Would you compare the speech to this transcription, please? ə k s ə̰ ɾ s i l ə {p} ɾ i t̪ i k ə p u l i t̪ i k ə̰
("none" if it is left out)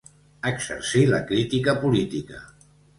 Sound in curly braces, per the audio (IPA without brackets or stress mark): k